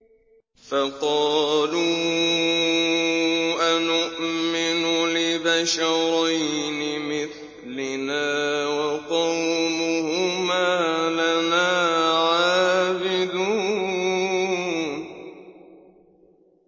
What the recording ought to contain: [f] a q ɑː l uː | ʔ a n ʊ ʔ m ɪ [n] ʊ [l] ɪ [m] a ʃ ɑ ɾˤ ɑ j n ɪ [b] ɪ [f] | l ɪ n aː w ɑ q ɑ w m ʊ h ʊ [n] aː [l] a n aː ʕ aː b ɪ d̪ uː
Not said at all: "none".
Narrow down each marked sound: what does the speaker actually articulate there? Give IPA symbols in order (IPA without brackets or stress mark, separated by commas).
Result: f, n, l, b, m, θ, m, l